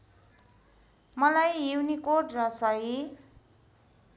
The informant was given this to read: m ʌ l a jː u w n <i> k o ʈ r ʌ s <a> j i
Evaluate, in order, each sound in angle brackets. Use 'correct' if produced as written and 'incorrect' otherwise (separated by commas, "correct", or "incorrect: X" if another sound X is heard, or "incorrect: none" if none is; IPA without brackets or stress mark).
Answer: correct, incorrect: ʌ